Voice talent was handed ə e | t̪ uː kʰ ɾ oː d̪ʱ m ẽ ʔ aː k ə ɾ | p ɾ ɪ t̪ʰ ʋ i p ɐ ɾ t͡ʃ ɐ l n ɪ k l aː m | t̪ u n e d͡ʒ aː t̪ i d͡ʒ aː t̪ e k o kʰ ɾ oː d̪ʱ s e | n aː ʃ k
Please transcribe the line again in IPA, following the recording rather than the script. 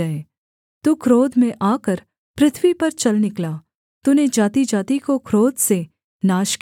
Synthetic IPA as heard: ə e | t̪ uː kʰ ɾ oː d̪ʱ m ẽ ʔ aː k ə ɾ | p ɾ ɪ t̪ʰ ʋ i p ɐ ɾ t͡ʃ ɐ l n ɪ k l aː | t̪ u n e d͡ʒ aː t̪ i d͡ʒ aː t̪ i k o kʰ ɾ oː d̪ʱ s e | n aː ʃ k